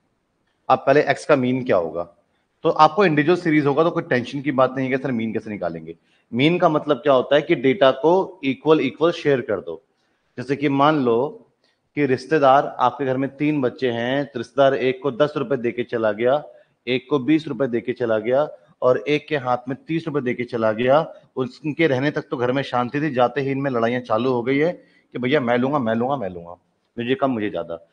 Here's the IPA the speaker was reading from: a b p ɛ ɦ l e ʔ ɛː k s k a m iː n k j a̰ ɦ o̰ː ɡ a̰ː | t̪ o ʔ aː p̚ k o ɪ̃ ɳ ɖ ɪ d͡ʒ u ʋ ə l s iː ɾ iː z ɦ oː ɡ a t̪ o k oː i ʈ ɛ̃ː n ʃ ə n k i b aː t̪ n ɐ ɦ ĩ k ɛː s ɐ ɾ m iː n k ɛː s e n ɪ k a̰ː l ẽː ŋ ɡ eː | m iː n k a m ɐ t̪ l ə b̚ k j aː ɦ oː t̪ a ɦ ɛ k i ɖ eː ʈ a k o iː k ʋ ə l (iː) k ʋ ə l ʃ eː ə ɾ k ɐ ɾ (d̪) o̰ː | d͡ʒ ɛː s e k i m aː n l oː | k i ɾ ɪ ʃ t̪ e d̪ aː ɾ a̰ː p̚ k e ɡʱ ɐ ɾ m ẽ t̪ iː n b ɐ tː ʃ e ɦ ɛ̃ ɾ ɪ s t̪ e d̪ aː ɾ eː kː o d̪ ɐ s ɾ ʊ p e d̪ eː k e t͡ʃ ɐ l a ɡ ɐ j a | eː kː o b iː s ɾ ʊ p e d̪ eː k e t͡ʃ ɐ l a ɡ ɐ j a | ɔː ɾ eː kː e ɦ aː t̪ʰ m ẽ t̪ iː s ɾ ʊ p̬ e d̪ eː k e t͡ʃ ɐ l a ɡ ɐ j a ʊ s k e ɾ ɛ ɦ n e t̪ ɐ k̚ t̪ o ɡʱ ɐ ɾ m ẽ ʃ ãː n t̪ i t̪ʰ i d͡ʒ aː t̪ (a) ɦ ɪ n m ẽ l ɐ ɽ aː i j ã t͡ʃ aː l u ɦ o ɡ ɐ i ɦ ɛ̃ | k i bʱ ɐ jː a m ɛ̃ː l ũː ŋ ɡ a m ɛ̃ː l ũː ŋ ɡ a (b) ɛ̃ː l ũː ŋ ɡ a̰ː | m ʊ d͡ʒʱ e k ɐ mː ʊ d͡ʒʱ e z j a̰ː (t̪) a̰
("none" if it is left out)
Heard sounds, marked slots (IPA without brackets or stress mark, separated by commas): iː, d̪, e, m, d̪